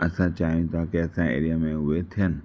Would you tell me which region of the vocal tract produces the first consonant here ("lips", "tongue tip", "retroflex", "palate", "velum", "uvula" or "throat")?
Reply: tongue tip